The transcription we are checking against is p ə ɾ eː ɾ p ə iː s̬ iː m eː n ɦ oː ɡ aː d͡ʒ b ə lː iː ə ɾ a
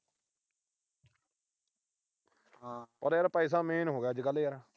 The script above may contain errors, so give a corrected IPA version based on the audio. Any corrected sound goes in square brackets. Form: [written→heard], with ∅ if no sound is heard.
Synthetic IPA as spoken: p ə ɾ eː ɾ p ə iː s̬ [iː→aː] m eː n ɦ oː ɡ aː d͡ʒ [b→ɡ] ə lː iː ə ɾ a

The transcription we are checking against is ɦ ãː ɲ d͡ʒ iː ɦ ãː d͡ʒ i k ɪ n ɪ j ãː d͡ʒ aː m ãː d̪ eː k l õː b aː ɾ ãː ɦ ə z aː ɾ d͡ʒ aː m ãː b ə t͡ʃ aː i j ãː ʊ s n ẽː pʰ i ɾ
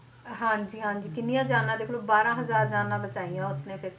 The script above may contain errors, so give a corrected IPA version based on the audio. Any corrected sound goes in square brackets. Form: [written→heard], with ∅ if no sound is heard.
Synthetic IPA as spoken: ɦ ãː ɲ d͡ʒ iː ɦ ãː d͡ʒ [i→iː] k ɪ n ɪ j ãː d͡ʒ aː [m→n] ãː d̪ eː k l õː b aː ɾ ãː ɦ ə z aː ɾ d͡ʒ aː [m→n] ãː b ə t͡ʃ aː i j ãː ʊ s n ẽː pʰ [i→ɪ] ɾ

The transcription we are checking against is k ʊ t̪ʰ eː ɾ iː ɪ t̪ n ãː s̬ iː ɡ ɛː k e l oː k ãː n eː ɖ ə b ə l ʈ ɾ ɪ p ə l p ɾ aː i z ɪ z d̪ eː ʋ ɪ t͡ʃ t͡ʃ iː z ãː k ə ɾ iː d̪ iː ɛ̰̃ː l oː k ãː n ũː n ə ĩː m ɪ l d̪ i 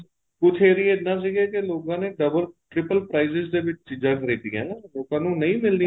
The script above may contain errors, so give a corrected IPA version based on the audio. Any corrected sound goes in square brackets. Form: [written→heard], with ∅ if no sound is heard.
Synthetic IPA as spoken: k ʊ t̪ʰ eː ɾ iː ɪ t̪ n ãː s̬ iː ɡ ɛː k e l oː k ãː n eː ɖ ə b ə l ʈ ɾ ɪ p ə l p ɾ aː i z ɪ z d̪ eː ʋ ɪ t͡ʃ t͡ʃ iː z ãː k ə ɾ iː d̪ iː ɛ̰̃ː l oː k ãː n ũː n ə ĩː m ɪ l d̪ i

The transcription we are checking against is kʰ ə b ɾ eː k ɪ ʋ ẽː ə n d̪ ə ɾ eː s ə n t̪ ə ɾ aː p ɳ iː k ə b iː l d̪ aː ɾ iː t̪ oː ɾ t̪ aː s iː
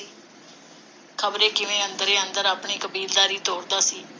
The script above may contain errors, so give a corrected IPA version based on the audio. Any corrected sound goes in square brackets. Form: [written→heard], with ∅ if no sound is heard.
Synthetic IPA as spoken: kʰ ə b ɾ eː k ɪ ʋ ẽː ə n d̪ ə ɾ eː [s→∅] ə n [t̪→d̪] ə ɾ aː p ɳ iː k ə b iː l d̪ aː ɾ iː t̪ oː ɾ [t̪→d̪] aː s iː

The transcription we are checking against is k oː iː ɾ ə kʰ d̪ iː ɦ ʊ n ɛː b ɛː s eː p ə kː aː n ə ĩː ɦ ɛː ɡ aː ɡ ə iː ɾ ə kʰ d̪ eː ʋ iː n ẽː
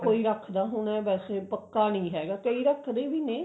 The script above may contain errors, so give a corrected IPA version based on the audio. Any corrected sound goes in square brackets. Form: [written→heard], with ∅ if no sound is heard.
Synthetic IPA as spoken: k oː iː ɾ ə kʰ d̪ [iː→aː] ɦ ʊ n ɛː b ɛː s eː p ə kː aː n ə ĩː ɦ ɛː ɡ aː [ɡ→k] ə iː ɾ ə kʰ d̪ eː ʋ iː n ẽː

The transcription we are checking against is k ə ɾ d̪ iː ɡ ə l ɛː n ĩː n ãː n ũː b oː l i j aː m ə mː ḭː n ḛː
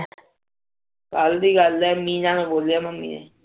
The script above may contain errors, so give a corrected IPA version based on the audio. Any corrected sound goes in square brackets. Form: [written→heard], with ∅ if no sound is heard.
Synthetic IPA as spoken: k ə [ɾ→l] d̪ iː ɡ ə l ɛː [n→m] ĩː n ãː n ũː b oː l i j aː m ə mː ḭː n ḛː

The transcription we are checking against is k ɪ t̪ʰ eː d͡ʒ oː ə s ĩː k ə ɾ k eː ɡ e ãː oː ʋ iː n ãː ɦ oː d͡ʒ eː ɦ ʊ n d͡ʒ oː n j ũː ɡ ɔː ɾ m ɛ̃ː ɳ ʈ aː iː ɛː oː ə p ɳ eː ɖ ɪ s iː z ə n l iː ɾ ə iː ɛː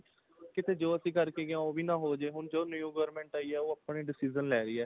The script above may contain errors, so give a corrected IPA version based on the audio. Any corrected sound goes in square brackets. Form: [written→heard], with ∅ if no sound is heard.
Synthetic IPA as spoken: k ɪ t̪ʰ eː d͡ʒ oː ə s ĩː k ə ɾ k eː ɡ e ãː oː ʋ iː n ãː ɦ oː d͡ʒ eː ɦ ʊ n d͡ʒ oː n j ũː ɡ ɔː ɾ m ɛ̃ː ɳ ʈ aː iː ɛː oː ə p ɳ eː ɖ ɪ s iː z ə n l [iː→ɛː] ɾ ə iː ɛː

